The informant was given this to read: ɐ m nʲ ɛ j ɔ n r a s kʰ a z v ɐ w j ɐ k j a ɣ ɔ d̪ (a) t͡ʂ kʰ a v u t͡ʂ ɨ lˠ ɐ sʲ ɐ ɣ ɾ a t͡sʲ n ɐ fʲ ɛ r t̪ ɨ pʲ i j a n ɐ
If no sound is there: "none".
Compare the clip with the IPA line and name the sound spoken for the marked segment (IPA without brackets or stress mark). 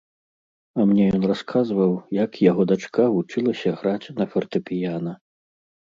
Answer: a